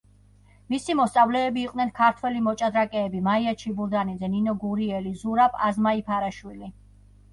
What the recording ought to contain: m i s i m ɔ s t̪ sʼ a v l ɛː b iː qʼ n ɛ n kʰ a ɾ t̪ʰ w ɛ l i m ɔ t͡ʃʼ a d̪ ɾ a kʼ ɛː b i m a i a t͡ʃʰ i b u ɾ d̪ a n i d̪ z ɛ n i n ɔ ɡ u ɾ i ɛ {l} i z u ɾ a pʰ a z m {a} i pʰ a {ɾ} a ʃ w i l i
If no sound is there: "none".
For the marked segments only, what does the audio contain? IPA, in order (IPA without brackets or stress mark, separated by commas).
l, a, ɾ